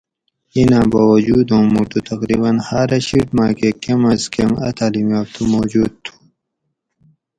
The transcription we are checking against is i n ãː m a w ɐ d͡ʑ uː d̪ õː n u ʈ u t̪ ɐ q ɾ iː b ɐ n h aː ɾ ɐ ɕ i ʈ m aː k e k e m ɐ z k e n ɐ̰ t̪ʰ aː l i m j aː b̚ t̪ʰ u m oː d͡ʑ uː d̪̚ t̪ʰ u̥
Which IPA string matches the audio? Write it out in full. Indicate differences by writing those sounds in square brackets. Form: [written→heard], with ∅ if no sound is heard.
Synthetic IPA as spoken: i n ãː [m→b] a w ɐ d͡ʑ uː d̪ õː [n→m] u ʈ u t̪ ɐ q ɾ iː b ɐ n h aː ɾ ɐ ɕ i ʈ m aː k e k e m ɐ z k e [n→m] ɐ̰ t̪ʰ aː l i m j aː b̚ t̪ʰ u m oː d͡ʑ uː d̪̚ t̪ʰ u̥